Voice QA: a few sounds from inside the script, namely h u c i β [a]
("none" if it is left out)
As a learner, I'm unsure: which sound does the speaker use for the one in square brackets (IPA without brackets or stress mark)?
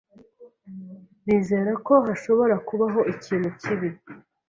i